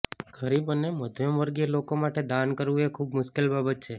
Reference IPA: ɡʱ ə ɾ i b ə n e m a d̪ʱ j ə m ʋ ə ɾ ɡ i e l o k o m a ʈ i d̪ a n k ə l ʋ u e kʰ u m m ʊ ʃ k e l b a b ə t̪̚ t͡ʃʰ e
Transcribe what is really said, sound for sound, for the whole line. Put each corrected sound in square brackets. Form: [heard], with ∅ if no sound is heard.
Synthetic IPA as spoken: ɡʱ ə ɾ i b ə n e m [ə] d̪ʱ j ə m ʋ ə ɾ ɡ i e l o k o m a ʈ [e] d̪ a n k ə [ɾ] ʋ u e kʰ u [b] m ʊ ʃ k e l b a b ə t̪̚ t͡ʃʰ e